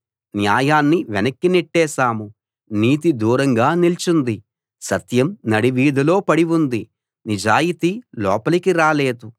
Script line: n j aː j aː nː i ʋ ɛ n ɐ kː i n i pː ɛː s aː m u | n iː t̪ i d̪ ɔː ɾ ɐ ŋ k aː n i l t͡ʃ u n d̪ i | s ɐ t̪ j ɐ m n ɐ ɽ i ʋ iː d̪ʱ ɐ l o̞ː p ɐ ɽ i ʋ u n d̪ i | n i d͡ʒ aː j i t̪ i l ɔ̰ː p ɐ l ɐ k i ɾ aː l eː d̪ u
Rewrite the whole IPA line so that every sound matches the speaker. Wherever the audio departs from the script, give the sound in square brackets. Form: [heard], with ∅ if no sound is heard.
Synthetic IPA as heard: n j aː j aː nː i ʋ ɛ n ɐ kː i n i [ʈː] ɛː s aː m u | n iː t̪ i d̪ [uː] ɾ ɐ ŋ [ɡ] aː n i l t͡ʃ u n d̪ i | s ɐ t̪ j ɐ m n ɐ ɽ i ʋ iː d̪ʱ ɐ l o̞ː p ɐ ɽ i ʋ u n d̪ i | n i d͡ʒ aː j i t̪ i l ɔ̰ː p ɐ l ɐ k i ɾ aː l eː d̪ u